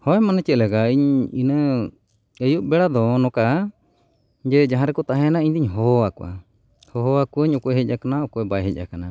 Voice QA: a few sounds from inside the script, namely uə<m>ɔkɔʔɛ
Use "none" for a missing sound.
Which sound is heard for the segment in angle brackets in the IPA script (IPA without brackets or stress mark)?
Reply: ɲ